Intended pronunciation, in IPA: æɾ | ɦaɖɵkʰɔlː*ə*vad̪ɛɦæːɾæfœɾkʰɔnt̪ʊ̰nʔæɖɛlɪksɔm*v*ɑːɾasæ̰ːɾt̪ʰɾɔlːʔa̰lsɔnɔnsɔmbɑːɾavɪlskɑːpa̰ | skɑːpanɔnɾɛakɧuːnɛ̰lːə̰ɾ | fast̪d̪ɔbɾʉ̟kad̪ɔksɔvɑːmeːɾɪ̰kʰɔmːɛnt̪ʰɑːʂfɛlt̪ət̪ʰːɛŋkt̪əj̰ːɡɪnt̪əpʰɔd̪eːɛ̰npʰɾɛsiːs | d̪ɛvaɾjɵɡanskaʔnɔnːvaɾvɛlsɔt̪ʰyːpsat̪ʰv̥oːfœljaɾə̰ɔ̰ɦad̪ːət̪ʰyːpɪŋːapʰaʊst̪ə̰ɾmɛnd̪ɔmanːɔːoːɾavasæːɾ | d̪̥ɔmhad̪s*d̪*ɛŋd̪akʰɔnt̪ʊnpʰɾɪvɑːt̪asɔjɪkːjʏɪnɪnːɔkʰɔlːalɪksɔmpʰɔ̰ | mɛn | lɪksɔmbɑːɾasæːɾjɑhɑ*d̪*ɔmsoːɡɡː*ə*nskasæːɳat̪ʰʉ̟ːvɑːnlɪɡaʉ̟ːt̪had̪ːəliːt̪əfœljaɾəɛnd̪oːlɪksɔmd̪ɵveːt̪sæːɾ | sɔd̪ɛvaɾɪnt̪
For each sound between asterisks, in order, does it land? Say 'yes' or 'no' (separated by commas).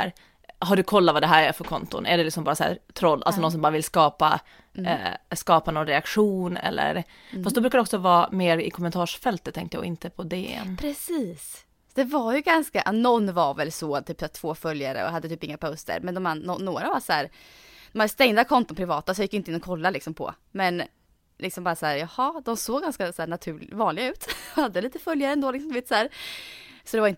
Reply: no, no, no, yes, no